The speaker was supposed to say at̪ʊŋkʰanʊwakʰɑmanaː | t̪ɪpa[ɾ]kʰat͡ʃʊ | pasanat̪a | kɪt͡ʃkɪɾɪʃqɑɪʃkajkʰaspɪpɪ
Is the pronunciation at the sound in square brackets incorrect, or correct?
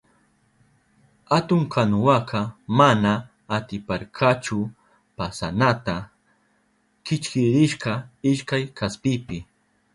correct